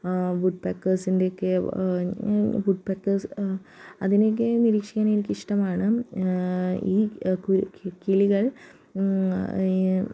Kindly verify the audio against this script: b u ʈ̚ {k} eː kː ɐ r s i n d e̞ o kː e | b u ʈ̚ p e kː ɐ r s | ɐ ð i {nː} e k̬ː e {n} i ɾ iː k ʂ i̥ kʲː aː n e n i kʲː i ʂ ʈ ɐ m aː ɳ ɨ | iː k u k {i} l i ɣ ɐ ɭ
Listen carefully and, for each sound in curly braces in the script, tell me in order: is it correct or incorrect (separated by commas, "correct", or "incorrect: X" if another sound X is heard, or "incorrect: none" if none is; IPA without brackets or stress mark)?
incorrect: p, incorrect: n, correct, correct